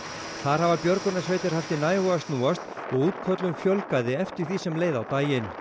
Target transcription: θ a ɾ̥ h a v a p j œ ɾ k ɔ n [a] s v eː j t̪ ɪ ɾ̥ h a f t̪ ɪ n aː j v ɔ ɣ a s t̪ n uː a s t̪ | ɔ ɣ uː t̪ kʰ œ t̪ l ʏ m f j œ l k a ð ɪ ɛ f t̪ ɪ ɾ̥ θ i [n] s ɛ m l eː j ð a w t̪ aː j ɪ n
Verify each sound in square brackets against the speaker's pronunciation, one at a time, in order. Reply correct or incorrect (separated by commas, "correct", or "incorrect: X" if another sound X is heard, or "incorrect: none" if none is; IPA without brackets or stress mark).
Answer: correct, incorrect: none